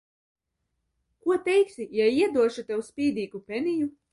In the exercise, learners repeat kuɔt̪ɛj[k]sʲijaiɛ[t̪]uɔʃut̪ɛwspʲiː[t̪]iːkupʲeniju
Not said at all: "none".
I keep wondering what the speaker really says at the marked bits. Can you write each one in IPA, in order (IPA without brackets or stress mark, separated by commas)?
k, d̪, d̪